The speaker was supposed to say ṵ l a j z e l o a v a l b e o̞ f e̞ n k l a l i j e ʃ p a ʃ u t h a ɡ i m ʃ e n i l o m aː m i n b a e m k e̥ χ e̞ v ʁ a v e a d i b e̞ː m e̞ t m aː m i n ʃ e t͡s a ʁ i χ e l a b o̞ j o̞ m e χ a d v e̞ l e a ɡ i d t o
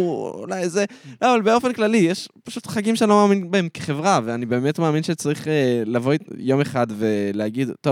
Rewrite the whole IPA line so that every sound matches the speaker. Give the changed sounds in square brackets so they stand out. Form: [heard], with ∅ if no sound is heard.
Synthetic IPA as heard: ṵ l a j z e l o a v a l b e o̞ f e̞ n k l a l i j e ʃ p a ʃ u t [χ] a ɡ i m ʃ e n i l o m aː m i n b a e m k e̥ χ e̞ v ʁ a v e a [n] i b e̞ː m e̞ t m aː m i n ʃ e t͡s a ʁ i χ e l a [v] o̞ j o̞ m e χ a d v e̞ l e a ɡ i d t o